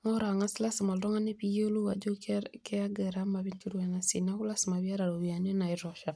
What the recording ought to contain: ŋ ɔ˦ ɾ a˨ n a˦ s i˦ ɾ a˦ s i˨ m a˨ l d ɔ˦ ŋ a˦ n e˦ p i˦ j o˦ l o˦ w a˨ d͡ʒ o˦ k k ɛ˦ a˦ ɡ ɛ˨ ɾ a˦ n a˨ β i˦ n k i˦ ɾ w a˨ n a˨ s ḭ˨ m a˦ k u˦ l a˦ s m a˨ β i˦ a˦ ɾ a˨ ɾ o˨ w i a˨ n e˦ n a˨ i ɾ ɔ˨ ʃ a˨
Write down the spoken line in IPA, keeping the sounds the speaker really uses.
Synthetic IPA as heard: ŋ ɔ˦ ɾ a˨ ŋ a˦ s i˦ l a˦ s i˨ m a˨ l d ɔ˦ ŋ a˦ n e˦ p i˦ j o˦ l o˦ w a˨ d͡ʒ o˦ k k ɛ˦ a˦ ɡ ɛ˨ ɾ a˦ m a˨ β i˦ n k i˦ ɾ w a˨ n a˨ s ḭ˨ n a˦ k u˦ l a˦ s m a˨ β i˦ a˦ ɾ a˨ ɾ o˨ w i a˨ n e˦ n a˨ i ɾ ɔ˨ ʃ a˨